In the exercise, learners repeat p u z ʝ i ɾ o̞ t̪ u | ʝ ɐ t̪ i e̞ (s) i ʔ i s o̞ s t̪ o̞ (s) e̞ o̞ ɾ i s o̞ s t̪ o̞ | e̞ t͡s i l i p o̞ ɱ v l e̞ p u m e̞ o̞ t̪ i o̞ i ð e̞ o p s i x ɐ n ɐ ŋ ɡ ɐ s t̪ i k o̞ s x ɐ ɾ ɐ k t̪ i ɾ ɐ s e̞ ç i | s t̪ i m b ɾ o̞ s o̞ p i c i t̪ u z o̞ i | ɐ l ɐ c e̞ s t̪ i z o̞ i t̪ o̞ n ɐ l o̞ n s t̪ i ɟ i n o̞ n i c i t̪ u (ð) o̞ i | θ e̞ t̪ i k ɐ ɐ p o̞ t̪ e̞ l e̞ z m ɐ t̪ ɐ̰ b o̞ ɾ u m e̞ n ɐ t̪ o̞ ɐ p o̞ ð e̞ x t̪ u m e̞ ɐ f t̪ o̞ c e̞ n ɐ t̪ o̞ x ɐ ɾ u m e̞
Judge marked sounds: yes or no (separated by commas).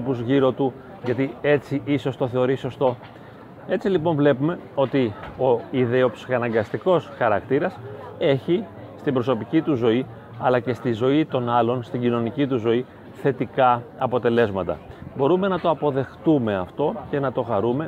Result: no, no, no